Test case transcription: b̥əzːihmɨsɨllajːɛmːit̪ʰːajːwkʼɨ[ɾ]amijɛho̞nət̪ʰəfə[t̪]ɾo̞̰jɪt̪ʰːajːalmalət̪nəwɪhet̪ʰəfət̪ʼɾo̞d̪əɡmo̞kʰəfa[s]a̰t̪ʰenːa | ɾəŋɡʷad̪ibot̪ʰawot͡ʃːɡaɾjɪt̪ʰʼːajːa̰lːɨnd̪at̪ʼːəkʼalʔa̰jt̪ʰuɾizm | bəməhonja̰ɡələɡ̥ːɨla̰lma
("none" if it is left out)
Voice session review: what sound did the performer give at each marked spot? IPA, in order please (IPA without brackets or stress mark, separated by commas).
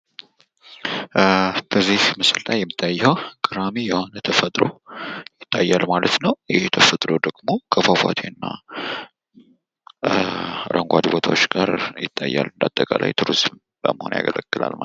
ɾ, t̪ʼ, f